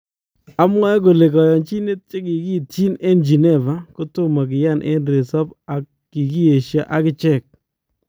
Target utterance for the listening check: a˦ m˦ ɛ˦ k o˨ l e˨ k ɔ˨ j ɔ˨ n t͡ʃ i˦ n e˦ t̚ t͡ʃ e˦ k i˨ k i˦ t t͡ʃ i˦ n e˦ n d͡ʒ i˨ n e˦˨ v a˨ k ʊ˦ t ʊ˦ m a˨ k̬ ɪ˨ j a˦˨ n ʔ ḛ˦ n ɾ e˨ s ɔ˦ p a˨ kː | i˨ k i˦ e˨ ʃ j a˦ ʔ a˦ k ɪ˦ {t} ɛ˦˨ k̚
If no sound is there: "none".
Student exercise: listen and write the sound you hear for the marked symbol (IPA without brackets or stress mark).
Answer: t͡ʃ